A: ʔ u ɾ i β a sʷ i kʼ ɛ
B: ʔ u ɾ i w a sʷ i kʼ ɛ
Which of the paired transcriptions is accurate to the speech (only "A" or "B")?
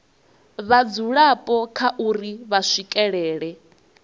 A